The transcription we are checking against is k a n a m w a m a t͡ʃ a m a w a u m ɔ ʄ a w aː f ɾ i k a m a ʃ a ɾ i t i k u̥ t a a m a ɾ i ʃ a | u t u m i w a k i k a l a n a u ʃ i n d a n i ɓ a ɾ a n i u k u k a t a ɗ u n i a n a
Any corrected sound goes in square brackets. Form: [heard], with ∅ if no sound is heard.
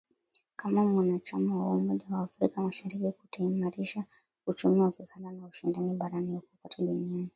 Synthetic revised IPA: k a [m] a m w a [n] a t͡ʃ a m a w a u m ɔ ʄ a w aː f ɾ i k a m a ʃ a ɾ i [k] i k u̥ t a [i] m a ɾ i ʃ a | u [t͡ʃ] u m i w a k i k a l a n a u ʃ i n d a n i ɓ a ɾ a n i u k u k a t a ɗ u n i a n [i]

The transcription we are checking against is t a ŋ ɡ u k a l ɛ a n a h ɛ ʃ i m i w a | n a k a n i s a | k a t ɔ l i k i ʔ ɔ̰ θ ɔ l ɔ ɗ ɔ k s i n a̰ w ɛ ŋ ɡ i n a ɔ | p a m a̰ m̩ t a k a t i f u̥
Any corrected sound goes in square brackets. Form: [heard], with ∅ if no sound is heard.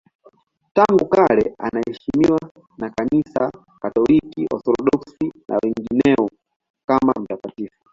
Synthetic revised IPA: t a ŋ ɡ u k a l ɛ a n a h ɛ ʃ i m i w a | n a k a n i s a | k a t ɔ l i k i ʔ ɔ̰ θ ɔ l ɔ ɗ ɔ k s i n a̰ w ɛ ŋ ɡ i n [ɛ] ɔ | [k] a m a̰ m̩ t a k a t i f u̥

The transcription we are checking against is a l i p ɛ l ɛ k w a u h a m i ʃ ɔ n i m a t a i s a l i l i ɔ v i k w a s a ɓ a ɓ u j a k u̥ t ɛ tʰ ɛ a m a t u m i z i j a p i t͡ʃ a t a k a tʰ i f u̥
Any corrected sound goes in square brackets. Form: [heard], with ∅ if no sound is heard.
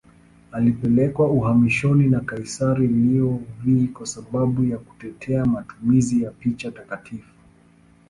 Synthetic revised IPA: a l i p ɛ l ɛ k w a u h a m i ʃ ɔ n i [n] a [k] a i s a [ɾ] i l i ɔ v i k w a s a ɓ a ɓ u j a k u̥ t ɛ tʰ ɛ a m a t u m i z i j a p i t͡ʃ a t a k a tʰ i f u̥

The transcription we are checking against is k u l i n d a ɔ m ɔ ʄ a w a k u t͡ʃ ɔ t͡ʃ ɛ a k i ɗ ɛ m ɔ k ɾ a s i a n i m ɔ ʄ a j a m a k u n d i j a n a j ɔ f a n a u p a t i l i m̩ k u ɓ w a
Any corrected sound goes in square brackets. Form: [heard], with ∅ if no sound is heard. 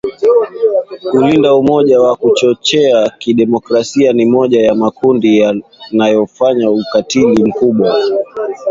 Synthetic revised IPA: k u l i n d a [u] m ɔ ʄ a w a k u t͡ʃ ɔ t͡ʃ ɛ a k i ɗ ɛ m ɔ k ɾ a s i a n i m ɔ ʄ a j a m a k u n d i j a n a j ɔ f a [ɲ] a u [k] a t i l i m̩ k u ɓ w a

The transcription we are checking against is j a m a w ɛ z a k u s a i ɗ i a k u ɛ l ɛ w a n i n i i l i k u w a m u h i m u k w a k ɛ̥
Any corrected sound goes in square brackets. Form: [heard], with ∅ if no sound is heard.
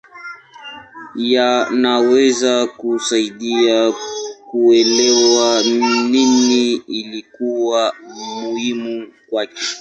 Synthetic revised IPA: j a [n] a w ɛ z a k u s a i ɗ i a k u ɛ l ɛ w a n i n i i l i k u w a m u h i m u k w a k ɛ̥

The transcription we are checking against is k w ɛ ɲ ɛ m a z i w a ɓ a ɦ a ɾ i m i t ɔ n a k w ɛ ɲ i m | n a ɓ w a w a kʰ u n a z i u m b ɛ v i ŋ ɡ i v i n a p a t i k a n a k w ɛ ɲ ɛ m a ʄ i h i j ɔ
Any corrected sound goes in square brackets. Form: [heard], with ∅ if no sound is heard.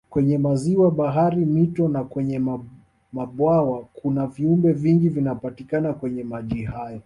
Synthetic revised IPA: k w ɛ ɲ ɛ m a z i w a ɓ a ɦ a ɾ i m i t ɔ n a k w ɛ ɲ [ɛ] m | [m] a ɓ w a w a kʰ u n a [v] i u m b ɛ v i ŋ ɡ i v i n a p a t i k a n a k w ɛ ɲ ɛ m a ʄ i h [a] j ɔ

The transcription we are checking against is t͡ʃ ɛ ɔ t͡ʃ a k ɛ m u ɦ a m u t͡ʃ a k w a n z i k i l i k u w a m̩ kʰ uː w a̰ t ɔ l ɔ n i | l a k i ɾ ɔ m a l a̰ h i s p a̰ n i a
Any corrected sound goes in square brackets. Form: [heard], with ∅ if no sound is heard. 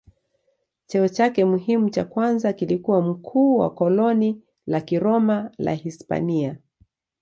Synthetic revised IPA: t͡ʃ ɛ ɔ t͡ʃ a k ɛ m u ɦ [i] m u t͡ʃ a k w a n z [a] k i l i k u w a m̩ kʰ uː w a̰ [k] ɔ l ɔ n i | l a k i ɾ ɔ m a l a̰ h i s p a̰ n i a

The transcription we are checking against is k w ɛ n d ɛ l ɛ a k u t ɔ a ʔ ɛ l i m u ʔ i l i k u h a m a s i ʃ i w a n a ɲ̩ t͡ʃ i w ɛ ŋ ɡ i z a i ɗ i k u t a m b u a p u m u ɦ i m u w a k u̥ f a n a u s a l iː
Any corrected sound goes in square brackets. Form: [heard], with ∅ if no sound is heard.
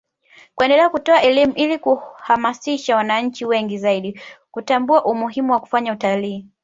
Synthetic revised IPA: k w ɛ n d ɛ l ɛ a k u t ɔ a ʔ ɛ l i m u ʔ i l i k u h a m a s i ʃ [a] w a n a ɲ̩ t͡ʃ i w ɛ ŋ ɡ i z a i ɗ i k u t a m b u a [ʔ] u m u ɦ i m u w a k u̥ f a [ɲ] a u [t] a l iː

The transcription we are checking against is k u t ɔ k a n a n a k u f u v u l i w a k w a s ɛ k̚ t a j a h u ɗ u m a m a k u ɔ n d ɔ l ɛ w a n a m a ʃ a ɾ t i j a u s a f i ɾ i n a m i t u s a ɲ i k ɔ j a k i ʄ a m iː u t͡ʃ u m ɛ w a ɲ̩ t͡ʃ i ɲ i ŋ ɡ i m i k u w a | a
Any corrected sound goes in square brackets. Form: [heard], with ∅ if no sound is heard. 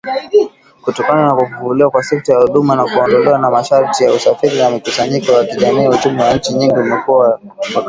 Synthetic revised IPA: k u t ɔ k a n a n a k u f u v u l i w a k w a s ɛ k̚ t a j a h u ɗ u m a [n] a k u ɔ n d ɔ l ɛ w a n a m a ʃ a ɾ t i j a u s a f i ɾ i n a m i [k] u s a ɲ i k ɔ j a k i ʄ a m iː u t͡ʃ u m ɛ w a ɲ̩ t͡ʃ i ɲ i ŋ ɡ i m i k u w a | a

